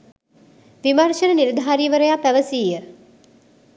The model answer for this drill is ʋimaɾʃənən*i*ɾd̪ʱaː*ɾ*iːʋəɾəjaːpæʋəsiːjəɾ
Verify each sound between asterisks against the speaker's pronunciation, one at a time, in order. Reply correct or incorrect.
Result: correct, correct

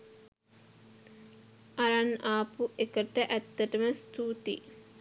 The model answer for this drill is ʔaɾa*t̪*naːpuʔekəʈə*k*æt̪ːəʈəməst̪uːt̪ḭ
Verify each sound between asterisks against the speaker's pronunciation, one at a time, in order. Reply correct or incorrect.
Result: incorrect: none, incorrect: ʔ

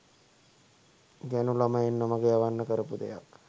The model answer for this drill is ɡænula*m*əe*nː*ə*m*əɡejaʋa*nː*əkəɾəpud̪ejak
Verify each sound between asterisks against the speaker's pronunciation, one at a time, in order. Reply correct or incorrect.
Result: correct, correct, correct, correct

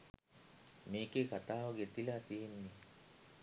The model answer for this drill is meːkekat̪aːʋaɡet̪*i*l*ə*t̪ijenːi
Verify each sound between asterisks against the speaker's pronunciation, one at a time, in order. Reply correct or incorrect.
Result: correct, incorrect: a

